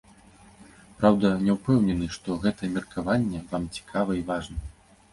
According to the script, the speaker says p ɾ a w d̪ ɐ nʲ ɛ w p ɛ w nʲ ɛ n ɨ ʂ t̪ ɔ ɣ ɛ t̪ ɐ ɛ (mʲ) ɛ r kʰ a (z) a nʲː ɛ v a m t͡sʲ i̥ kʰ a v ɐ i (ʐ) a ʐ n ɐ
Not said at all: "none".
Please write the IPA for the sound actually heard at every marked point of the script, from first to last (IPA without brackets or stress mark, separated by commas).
mʲ, v, v